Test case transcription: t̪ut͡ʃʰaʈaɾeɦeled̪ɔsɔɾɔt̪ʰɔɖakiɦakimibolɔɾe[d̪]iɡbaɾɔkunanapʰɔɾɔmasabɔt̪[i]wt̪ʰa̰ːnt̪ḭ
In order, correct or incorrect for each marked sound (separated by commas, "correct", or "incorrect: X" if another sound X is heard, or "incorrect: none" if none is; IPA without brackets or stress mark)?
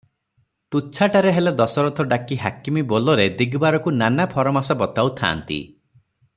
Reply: correct, incorrect: a